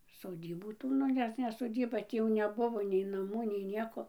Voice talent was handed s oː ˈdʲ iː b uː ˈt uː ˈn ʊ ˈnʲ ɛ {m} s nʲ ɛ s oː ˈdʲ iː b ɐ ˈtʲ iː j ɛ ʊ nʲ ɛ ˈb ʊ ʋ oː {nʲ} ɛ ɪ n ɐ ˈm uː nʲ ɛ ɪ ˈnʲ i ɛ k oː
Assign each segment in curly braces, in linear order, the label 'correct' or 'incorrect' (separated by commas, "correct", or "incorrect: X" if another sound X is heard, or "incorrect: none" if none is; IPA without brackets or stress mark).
incorrect: none, correct